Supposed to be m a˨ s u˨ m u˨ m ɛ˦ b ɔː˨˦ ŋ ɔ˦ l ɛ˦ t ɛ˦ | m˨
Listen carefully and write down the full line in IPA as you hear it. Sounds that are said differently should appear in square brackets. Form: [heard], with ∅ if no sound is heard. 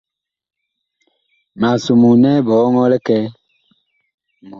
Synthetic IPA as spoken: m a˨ s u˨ m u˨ [n] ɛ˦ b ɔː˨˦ ŋ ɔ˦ l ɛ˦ [k] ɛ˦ | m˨